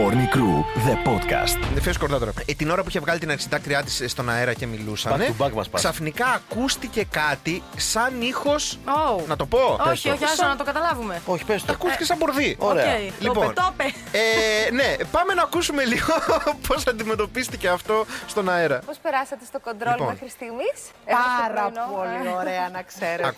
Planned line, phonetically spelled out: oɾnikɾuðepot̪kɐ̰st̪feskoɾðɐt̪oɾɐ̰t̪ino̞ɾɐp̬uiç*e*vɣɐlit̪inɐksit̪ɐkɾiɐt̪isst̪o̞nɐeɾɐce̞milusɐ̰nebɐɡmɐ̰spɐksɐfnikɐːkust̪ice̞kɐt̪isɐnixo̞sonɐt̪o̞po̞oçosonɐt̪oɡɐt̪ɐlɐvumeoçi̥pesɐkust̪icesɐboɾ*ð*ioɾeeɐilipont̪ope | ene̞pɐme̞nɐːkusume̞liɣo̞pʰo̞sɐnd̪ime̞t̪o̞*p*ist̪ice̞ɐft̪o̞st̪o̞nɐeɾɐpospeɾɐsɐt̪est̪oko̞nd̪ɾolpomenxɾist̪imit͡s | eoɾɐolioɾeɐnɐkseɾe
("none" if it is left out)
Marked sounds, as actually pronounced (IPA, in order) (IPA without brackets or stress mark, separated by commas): e, ð, p